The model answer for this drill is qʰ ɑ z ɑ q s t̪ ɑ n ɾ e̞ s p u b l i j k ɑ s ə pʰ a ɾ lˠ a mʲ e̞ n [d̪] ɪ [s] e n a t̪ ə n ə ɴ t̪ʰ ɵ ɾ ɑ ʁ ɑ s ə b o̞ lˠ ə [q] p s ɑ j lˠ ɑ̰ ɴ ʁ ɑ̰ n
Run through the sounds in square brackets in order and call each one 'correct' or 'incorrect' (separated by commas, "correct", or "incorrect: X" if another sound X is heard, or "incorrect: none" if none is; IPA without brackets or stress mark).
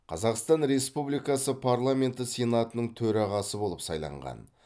incorrect: t̪, correct, incorrect: none